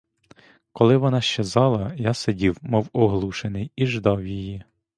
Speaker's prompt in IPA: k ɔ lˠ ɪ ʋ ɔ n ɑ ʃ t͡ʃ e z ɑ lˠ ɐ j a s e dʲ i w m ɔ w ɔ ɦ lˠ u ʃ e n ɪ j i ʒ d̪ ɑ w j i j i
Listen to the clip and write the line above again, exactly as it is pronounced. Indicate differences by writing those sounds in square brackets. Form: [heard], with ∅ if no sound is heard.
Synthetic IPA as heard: k ɔ lˠ ɪ ʋ ɔ n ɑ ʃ t͡ʃ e z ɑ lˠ ɐ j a s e dʲ i w m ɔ w ɔ ɦ lˠ u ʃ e n ɪ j i ʒ d̪ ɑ w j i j i